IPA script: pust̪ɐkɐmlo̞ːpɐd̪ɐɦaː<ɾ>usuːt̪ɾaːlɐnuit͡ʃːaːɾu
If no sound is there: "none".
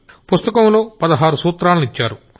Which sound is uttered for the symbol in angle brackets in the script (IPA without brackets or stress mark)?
ɾ